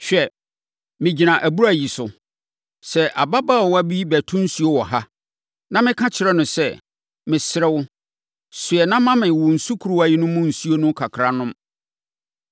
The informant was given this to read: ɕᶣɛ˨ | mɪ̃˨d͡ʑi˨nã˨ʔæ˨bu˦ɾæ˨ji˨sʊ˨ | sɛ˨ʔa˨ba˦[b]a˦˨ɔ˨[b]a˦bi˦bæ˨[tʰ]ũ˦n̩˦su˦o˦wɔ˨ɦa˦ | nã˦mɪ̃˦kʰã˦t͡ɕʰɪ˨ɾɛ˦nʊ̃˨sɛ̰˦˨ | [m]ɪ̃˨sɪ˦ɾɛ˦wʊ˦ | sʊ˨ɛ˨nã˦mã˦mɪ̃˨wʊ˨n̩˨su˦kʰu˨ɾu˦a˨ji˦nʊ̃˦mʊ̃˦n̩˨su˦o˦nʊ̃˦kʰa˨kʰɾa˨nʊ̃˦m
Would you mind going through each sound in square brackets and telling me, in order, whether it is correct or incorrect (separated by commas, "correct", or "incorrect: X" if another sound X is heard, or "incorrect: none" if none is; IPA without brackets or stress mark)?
correct, incorrect: w, correct, correct